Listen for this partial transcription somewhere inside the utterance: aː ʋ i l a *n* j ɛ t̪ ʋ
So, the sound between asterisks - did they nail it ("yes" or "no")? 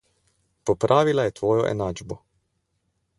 no